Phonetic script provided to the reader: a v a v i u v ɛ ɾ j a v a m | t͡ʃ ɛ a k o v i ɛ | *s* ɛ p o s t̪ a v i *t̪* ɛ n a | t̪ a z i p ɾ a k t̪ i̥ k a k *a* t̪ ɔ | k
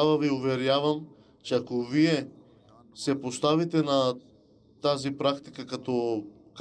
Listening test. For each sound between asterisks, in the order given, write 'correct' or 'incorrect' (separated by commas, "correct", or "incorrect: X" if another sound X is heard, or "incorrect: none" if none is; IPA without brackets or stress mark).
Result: correct, correct, correct